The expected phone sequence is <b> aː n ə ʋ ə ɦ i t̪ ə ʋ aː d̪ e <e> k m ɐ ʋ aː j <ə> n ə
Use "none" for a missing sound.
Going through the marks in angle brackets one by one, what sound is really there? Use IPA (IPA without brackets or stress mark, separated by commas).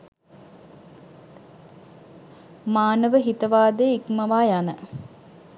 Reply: m, i, a